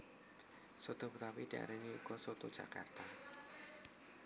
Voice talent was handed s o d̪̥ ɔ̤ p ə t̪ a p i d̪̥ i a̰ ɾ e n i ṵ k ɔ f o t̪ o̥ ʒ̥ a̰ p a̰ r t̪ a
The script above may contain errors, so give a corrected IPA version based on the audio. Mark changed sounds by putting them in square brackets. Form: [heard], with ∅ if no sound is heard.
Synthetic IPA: s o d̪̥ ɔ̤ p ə t̪ a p i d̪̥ i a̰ ɾ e n i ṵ k ɔ [s] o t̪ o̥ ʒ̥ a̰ [k] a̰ r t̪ a